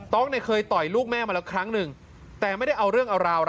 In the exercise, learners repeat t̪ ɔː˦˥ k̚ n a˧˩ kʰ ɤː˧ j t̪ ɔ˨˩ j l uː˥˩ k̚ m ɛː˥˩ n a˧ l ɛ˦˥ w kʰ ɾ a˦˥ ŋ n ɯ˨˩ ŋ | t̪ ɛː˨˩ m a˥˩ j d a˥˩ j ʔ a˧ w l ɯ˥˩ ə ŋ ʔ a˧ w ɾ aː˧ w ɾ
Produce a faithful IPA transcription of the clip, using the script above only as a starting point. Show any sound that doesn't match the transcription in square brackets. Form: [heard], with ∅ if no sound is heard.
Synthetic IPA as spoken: t̪ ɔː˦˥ k̚ n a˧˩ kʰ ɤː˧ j t̪ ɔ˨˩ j l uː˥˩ k̚ m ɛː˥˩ [m] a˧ l ɛ˦˥ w kʰ ɾ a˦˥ ŋ n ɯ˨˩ ŋ | t̪ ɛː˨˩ m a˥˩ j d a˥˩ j ʔ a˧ w [ɾ] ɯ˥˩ ə ŋ ʔ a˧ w ɾ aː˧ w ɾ